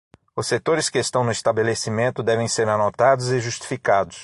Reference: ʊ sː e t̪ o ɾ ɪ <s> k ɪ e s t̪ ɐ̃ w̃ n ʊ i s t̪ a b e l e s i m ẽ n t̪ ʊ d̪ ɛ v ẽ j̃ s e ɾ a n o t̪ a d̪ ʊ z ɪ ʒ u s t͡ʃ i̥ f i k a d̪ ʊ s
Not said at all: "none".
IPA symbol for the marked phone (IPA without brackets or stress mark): s